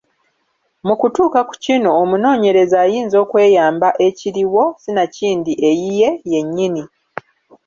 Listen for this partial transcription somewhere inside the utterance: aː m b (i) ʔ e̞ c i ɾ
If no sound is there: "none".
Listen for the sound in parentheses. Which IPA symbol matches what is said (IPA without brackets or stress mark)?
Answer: a